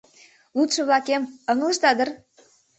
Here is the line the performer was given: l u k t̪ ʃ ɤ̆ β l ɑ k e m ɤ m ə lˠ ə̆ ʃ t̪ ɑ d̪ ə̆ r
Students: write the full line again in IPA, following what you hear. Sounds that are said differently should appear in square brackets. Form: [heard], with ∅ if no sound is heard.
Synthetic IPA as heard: l u [∅] t̪ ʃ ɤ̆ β l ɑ k e m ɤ [ŋ] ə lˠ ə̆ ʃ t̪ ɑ d̪ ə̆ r